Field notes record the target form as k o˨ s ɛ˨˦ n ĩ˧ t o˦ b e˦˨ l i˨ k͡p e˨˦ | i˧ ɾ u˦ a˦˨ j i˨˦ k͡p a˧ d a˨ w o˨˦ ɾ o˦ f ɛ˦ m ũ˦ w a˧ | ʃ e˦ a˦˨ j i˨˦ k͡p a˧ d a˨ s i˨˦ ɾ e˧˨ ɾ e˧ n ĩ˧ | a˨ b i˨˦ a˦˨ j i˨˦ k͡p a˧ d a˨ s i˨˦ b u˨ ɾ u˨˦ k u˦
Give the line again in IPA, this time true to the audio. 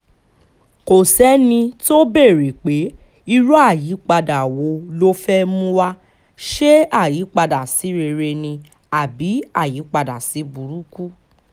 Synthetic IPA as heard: k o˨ s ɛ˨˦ n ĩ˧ t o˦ b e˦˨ ɾ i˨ k͡p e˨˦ | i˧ ɾ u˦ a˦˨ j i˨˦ k͡p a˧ d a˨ w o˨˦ l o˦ f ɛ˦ m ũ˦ w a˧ | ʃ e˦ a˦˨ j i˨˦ k͡p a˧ d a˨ s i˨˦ ɾ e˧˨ ɾ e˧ n ĩ˧ | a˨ b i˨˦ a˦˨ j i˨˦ k͡p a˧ d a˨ s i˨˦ b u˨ ɾ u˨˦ k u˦

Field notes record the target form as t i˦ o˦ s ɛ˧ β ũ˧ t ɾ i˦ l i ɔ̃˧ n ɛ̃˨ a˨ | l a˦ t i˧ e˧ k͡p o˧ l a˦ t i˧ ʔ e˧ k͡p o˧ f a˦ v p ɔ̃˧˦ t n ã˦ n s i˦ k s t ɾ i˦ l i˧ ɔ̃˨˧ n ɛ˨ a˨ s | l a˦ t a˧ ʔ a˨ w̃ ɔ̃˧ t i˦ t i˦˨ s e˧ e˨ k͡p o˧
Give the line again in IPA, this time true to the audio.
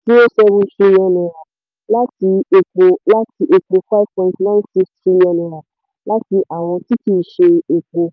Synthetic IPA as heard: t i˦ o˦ s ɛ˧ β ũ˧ t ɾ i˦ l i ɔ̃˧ n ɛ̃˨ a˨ | l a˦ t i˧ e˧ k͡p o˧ l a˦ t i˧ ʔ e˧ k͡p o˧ f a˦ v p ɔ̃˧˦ t n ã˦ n s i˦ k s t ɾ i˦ l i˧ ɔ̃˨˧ n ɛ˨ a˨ | l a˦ t i˧ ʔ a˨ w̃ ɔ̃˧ t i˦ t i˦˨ ʃ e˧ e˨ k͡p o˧

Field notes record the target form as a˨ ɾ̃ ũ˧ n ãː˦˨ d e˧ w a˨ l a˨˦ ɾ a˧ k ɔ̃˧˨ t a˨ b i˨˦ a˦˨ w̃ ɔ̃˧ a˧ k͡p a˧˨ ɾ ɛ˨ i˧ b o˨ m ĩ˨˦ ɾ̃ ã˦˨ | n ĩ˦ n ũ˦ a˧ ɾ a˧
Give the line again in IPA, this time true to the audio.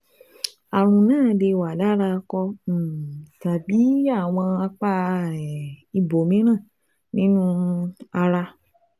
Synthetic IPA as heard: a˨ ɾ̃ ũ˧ n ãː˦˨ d e˧ w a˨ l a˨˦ ɾ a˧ k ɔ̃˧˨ t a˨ b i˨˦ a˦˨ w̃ ɔ̃˧ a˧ k͡p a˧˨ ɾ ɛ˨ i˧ b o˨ m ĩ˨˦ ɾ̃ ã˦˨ | n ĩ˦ n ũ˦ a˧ ɾ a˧

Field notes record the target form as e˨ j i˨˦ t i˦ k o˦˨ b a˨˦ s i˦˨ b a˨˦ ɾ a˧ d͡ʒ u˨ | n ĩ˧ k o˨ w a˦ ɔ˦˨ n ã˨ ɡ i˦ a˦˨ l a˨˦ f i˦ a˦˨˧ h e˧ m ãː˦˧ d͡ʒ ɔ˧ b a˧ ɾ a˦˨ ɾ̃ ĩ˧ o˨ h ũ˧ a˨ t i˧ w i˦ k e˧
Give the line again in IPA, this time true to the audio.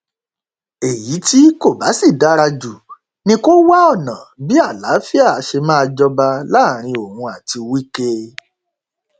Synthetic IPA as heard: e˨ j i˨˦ t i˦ k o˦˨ b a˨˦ s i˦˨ d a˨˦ ɾ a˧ d͡ʒ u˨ | n ĩ˧ k o˦ w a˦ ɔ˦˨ n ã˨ b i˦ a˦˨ l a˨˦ f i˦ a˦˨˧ ʃ e˧ m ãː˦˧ d͡ʒ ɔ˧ b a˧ l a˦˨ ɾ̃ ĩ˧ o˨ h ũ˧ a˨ t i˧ w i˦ k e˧

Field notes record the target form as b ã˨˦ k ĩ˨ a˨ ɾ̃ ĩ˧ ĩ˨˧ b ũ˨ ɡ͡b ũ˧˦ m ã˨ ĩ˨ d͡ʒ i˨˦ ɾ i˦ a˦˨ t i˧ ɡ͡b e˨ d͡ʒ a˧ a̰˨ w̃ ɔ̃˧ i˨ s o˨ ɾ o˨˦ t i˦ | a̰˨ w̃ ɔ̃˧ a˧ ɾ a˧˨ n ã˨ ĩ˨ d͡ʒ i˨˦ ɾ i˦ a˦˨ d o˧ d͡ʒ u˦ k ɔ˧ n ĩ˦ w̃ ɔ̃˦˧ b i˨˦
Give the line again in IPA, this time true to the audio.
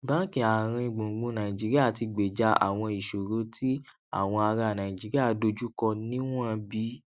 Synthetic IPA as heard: b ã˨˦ k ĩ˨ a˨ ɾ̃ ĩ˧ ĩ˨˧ ɡ͡b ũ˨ ɡ͡b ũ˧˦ n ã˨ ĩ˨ d͡ʒ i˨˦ ɾ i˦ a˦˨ t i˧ ɡ͡b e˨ d͡ʒ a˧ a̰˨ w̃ ɔ̃˧ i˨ ʃ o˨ ɾ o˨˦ t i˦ | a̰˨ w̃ ɔ̃˧ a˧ ɾ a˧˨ n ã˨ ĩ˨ d͡ʒ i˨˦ ɾ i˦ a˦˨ d o˧ d͡ʒ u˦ k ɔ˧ n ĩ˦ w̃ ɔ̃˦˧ b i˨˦

